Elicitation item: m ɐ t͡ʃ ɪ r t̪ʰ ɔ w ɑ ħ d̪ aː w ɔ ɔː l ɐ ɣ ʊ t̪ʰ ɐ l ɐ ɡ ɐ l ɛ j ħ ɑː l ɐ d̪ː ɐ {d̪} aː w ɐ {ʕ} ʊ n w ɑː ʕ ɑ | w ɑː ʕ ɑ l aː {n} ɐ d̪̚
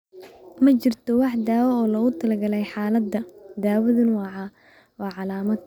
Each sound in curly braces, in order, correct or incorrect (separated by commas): correct, incorrect, incorrect